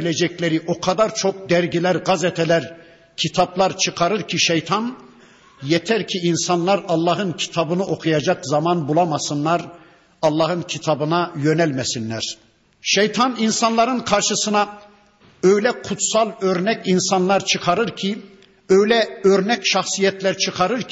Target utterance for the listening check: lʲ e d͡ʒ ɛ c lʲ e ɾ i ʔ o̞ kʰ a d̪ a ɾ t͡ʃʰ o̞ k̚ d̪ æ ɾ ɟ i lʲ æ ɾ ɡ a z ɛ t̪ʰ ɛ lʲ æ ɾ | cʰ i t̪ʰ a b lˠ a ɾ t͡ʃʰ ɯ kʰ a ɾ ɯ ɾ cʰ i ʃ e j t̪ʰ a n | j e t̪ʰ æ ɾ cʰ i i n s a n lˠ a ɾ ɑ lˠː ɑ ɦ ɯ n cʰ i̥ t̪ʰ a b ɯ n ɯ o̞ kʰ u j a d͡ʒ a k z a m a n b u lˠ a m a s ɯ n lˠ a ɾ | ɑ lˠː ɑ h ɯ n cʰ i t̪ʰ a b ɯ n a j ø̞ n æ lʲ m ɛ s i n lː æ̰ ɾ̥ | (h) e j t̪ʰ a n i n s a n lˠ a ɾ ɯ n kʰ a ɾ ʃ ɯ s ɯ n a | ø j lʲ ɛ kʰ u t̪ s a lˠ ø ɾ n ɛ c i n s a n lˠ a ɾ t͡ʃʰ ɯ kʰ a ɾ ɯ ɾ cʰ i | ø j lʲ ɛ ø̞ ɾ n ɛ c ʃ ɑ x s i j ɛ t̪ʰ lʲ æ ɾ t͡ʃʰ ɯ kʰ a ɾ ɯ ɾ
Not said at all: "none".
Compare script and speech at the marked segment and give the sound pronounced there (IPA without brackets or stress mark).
ʃ